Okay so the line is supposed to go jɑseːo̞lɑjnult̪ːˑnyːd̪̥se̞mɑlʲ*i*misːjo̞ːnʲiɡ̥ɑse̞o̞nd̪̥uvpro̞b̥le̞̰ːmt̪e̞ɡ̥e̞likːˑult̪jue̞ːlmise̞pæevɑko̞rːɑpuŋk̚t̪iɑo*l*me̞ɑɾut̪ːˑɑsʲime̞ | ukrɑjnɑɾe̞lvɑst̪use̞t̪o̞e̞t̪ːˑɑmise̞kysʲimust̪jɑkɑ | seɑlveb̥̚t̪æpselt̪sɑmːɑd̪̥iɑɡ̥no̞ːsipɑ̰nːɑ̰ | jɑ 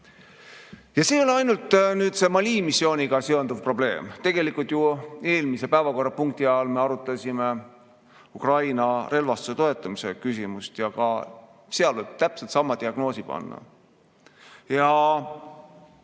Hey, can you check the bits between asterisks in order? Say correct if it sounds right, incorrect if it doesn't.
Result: incorrect, correct

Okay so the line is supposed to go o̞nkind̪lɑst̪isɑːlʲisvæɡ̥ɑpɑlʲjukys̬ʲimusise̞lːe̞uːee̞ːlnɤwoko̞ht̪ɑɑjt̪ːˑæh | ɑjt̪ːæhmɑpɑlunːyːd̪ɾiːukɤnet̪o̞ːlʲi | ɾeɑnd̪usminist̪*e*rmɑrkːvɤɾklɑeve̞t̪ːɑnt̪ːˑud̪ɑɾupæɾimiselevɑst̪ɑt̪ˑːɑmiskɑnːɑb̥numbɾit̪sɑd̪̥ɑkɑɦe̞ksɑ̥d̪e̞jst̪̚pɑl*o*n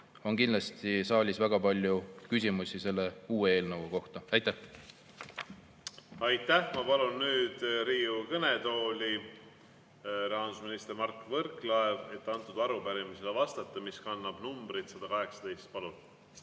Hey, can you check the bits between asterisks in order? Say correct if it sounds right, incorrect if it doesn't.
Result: correct, incorrect

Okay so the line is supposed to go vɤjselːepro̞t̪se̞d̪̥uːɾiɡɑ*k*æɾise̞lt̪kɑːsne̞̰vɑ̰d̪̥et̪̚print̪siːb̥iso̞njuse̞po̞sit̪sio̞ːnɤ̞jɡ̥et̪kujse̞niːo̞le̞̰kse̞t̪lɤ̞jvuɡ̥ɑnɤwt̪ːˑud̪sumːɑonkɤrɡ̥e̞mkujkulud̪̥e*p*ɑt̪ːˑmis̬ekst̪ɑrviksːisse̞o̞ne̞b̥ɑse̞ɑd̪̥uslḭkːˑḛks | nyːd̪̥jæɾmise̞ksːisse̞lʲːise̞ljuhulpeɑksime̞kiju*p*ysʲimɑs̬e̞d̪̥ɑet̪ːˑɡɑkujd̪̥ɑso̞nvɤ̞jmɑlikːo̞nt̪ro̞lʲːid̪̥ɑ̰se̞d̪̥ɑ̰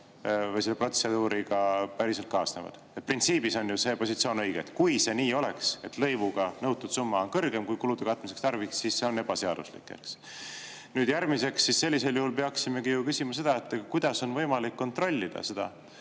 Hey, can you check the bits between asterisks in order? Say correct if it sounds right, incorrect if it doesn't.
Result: incorrect, incorrect, incorrect

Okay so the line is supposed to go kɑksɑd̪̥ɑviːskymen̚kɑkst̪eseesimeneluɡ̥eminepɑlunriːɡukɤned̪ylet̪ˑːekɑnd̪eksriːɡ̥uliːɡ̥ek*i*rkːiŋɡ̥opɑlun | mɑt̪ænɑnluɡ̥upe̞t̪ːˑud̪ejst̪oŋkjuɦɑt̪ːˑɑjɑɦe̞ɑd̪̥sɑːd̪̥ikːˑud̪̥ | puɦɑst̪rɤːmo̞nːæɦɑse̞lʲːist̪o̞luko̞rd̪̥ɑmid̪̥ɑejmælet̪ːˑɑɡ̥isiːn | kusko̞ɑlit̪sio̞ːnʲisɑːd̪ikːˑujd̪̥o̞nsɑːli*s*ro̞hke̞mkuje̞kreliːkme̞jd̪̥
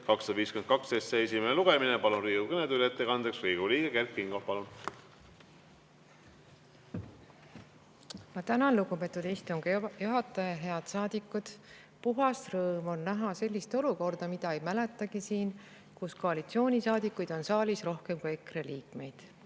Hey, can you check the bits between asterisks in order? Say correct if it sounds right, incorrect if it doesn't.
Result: incorrect, correct

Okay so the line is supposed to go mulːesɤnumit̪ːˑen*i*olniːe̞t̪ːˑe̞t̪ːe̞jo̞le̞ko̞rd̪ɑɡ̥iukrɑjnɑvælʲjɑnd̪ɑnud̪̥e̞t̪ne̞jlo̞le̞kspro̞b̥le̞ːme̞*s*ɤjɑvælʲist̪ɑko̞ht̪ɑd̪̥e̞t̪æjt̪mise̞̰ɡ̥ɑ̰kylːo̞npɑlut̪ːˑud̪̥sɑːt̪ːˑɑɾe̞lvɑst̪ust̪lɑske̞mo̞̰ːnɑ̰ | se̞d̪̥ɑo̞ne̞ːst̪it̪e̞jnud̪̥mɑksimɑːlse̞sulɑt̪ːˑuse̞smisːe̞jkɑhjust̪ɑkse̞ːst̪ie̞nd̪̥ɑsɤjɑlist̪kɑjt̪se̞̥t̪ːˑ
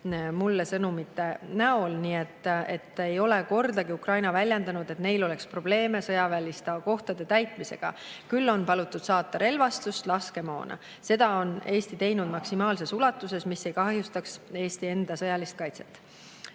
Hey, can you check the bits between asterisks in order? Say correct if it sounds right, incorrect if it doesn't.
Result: incorrect, correct

